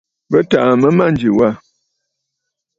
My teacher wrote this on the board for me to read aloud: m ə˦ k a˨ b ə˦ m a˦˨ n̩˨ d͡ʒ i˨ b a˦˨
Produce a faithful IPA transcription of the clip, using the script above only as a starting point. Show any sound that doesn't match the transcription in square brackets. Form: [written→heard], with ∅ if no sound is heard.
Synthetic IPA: [m→b] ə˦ [k→t] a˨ [b→m] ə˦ m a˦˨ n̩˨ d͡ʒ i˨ [b→w] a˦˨